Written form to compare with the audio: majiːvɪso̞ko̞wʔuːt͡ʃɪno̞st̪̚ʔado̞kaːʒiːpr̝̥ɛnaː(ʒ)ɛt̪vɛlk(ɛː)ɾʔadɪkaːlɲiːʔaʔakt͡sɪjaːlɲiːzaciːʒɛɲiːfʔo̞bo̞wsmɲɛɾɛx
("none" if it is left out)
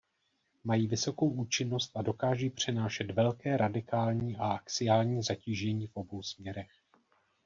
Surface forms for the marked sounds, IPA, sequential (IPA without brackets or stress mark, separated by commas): ʃ, ɛː